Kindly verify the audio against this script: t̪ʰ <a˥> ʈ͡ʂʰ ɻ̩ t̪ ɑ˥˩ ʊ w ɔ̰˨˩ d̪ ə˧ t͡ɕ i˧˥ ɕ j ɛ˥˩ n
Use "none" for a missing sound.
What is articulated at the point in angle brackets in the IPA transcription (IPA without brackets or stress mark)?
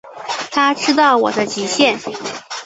a˥